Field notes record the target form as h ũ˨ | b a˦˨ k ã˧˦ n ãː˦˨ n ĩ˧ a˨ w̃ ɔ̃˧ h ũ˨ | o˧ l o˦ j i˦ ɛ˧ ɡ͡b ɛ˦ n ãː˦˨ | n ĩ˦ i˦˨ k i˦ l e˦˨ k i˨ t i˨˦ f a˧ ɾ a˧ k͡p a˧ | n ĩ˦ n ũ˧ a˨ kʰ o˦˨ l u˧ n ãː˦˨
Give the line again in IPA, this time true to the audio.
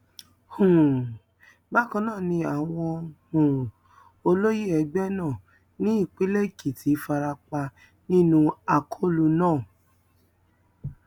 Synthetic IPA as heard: h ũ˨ | b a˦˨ k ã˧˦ n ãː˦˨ n ĩ˧ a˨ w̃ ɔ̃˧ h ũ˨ | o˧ l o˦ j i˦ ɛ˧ ɡ͡b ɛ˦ n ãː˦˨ | n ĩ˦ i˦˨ k͡p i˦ l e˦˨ k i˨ t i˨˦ f a˧ ɾ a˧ k͡p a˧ | n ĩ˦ n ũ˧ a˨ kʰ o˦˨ l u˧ n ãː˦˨

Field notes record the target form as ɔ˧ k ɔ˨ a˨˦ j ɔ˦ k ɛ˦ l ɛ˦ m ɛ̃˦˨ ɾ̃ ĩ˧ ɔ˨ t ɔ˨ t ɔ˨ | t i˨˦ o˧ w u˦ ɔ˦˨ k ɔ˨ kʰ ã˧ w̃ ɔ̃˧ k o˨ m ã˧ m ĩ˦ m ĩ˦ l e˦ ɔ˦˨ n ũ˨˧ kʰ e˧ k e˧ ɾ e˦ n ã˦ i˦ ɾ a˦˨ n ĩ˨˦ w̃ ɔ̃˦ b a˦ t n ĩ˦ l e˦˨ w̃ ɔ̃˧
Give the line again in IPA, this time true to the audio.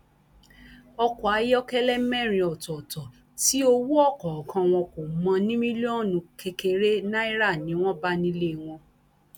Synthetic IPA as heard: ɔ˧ k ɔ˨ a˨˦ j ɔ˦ k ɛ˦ l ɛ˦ m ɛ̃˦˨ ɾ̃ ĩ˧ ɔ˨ t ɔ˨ t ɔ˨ | t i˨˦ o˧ w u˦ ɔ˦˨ k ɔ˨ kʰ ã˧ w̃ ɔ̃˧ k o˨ m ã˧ n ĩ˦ m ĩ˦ l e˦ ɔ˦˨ n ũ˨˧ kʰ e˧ k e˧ ɾ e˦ n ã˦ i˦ ɾ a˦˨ n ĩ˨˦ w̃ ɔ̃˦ b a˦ n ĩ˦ l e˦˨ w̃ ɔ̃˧

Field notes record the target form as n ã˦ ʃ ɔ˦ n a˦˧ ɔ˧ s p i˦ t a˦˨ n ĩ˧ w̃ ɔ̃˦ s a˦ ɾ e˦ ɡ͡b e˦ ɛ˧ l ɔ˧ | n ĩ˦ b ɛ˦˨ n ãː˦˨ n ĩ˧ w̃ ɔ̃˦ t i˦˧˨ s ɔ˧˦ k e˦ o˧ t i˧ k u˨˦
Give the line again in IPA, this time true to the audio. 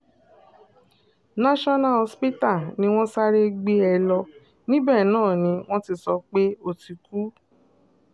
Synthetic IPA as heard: n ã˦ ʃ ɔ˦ n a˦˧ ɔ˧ s p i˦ t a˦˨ n ĩ˧ w̃ ɔ̃˦ s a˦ ɾ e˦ ɡ͡b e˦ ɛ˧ l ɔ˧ | n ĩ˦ b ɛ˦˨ n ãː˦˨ n ĩ˧ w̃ ɔ̃˦ t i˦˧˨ s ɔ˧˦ k͡p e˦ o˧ t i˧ k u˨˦

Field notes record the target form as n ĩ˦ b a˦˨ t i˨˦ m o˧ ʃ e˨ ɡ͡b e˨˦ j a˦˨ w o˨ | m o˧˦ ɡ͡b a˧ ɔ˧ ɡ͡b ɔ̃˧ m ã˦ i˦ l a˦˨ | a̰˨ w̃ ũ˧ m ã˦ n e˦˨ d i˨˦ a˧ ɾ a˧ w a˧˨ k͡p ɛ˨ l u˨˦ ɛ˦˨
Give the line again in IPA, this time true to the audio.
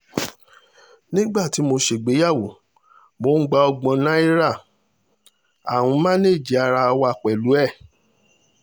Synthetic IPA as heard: n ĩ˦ ɡ͡b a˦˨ t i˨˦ m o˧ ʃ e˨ ɡ͡b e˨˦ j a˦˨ w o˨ | m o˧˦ ɡ͡b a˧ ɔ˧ ɡ͡b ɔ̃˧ n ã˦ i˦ ɾ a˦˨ | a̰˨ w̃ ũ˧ m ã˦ n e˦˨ d͡ʒ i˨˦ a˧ ɾ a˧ w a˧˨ k͡p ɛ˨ l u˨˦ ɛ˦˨

